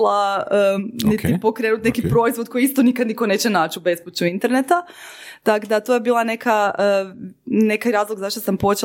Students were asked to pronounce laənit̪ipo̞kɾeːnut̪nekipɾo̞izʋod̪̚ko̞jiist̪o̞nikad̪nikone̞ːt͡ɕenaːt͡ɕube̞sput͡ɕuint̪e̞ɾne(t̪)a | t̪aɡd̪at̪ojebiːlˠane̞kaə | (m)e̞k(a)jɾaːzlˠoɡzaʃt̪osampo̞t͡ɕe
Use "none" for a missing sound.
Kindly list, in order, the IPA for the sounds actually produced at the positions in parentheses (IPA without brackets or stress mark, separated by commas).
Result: t̪, n, a